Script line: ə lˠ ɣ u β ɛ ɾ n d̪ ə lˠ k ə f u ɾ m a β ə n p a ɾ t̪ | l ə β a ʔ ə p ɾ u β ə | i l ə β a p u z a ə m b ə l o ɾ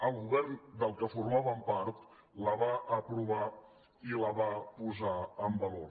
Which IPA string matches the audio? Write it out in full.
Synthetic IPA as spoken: ə lˠ ɣ u β ɛ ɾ n d̪ ə lˠ k ə f u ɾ m a β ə m p a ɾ t̪ | l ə β a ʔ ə p ɾ u β a | i l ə β a p u z a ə m b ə l o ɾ